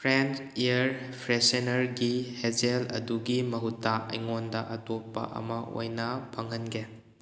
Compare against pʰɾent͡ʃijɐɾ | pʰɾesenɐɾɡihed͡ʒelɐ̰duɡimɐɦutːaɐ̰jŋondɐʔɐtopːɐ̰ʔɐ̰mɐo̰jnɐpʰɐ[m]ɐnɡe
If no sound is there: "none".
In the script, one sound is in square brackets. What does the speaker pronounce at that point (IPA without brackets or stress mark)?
ŋ